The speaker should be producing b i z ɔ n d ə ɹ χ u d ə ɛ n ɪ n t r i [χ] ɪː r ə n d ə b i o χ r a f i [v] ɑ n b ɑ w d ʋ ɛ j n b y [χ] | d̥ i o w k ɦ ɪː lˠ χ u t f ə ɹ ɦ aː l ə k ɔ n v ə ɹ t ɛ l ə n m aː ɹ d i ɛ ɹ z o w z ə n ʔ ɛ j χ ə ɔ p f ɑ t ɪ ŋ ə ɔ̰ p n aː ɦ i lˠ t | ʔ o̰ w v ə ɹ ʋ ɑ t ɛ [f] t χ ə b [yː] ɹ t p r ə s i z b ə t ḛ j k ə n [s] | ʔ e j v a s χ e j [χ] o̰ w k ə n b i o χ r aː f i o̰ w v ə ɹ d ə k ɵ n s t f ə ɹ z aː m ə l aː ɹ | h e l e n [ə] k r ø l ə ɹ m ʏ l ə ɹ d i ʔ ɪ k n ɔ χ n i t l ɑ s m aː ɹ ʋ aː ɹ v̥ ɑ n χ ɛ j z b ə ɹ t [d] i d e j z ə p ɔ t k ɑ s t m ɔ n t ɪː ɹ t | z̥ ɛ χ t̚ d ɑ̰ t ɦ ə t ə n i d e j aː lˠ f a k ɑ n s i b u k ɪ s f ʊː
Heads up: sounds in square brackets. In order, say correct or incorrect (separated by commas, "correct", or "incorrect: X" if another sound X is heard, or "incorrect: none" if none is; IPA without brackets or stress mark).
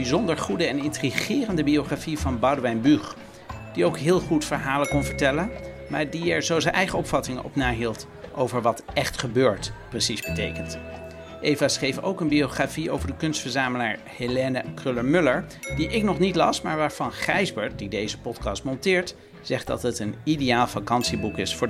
correct, correct, correct, incorrect: χ, incorrect: øː, incorrect: t, incorrect: f, correct, correct